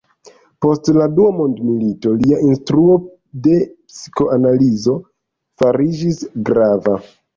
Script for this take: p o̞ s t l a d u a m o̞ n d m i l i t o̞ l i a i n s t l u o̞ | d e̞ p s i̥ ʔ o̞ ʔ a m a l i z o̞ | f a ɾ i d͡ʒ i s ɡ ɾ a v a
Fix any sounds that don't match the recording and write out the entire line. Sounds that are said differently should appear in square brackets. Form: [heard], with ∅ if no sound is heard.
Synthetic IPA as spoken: p o̞ s t l a d u a m o̞ n d m i l i t o̞ l i a i n s t [ɾ] u o̞ | d e̞ p s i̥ [k] o̞ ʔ a [n] a l i z o̞ | f a ɾ i d͡ʒ i s ɡ ɾ a v a